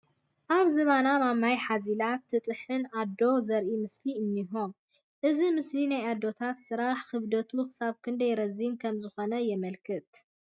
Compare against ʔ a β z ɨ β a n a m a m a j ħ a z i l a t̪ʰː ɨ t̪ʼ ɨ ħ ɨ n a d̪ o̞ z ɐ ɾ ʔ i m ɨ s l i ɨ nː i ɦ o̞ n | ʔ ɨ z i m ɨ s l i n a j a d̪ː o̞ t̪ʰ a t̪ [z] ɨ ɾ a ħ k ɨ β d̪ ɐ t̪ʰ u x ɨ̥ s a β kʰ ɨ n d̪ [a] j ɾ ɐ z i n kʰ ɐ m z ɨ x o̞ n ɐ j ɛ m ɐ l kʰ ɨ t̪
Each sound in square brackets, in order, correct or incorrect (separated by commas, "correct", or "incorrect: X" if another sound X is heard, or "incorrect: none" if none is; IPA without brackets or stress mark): incorrect: s, incorrect: ɐ